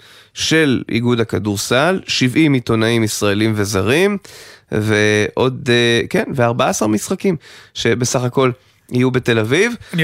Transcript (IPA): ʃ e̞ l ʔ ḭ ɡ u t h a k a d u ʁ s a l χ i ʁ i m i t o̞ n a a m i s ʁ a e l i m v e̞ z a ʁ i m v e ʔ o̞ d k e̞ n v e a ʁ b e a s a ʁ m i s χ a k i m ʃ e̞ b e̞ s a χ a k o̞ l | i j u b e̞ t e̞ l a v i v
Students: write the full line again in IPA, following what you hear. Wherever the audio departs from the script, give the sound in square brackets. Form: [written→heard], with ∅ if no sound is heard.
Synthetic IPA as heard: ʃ e̞ l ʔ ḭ ɡ u [t→d] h a k a d u ʁ s a l [χ→ʃ] i [ʁ→v] i m i t o̞ n a [a→i] m i s ʁ a e l i m v e̞ z a ʁ i m v e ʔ o̞ d k e̞ n v e a ʁ b [e→a] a s a ʁ m i s χ a k i m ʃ e̞ b e̞ s a χ a k o̞ l | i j u b e̞ t e̞ l a v i v